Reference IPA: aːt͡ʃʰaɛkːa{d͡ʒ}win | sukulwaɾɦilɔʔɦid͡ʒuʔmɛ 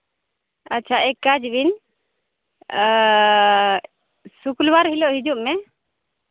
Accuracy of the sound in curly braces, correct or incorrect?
correct